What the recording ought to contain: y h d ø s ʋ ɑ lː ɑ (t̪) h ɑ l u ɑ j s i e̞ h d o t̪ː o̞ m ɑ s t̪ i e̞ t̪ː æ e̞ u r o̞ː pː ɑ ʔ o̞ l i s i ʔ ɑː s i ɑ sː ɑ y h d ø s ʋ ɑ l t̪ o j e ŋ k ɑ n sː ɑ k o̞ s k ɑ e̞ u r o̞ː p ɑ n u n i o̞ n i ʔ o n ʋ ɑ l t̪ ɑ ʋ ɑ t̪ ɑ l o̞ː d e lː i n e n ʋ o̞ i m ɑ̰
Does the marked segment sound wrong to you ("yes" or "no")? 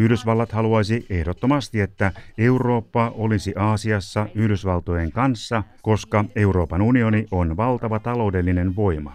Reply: no